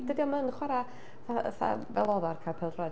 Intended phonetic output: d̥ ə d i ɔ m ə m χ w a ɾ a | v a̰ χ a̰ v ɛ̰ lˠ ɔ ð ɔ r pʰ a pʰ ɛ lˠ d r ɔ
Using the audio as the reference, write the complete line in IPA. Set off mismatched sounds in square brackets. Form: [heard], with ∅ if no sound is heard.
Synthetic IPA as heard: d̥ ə d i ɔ m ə [n] χ w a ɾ a | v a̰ [θ] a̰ v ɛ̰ lˠ ɔ ð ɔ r [kʰ] a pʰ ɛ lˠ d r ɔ